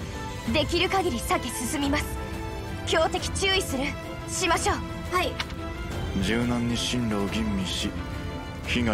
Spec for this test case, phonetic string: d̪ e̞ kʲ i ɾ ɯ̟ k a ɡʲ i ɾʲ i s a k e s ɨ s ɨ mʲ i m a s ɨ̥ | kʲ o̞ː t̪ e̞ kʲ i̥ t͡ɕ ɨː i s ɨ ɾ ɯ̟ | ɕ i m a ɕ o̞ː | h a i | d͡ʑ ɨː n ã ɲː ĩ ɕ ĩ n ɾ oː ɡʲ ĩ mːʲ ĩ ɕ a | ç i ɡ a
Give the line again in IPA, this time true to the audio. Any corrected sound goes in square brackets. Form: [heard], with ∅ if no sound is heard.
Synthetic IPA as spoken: d̪ e̞ kʲ i ɾ ɯ̟ k a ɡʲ i ɾʲ i s a k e s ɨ s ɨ mʲ i m a s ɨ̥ | kʲ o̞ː t̪ e̞ kʲ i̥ t͡ɕ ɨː i s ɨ ɾ ɯ̟ | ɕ i m a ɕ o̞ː | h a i | d͡ʑ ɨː n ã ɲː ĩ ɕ ĩ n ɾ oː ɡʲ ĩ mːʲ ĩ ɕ [i] | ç i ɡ a